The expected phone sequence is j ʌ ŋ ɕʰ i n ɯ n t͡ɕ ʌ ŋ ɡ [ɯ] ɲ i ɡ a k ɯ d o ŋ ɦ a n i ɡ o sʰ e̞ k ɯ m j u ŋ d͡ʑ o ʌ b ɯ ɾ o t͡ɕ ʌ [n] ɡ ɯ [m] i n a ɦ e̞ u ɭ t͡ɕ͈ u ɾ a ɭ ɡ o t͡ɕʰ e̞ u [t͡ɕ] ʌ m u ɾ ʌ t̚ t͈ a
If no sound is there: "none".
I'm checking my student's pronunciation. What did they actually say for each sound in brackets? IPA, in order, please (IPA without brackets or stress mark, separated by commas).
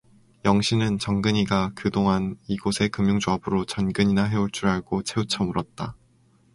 ɯ, n, ɲ, t͡ɕʰ